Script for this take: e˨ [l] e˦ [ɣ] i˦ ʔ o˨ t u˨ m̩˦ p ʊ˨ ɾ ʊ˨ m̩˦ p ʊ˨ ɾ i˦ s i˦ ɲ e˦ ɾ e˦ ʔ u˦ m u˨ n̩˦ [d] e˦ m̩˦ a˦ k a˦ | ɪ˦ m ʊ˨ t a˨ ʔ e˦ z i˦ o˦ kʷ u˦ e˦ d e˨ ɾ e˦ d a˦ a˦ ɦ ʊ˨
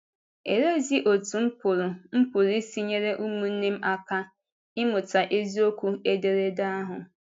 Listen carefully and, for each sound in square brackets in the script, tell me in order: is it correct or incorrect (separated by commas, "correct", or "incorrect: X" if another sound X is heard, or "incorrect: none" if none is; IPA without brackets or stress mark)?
incorrect: ɾ, incorrect: z, incorrect: n